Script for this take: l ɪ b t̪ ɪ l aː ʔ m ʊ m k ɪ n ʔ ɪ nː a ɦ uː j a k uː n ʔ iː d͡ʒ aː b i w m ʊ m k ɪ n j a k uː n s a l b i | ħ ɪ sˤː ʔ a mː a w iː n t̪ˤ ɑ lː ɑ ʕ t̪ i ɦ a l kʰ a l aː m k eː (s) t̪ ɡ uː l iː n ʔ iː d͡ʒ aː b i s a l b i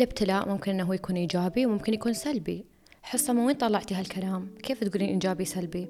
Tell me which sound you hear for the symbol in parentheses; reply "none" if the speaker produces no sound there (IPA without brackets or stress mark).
f